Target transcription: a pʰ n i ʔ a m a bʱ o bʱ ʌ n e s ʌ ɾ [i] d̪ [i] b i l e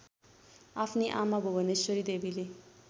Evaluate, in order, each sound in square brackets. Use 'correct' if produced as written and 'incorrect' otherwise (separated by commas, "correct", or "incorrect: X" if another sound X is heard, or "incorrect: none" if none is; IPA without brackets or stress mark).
correct, incorrect: e